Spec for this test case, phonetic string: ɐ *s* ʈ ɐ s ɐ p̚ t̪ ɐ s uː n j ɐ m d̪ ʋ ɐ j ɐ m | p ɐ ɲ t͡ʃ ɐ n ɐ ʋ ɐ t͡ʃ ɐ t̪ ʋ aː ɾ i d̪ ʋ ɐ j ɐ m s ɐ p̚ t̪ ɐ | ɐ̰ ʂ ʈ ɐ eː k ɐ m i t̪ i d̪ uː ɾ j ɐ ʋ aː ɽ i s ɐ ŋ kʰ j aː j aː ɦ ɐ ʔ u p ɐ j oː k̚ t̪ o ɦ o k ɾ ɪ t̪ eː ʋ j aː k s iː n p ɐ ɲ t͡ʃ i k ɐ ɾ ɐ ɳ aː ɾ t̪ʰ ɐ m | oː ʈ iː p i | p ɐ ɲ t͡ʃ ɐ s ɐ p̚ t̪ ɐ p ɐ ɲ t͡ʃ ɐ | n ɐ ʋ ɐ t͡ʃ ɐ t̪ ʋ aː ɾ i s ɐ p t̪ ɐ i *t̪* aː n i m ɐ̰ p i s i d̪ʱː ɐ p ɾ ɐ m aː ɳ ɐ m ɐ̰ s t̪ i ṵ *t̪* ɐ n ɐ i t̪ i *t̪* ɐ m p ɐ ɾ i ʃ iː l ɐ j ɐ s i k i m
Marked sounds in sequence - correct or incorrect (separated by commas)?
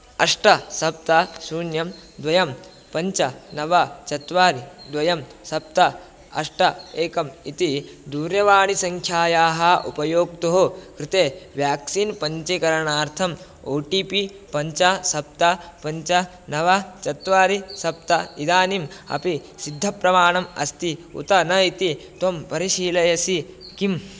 incorrect, incorrect, correct, correct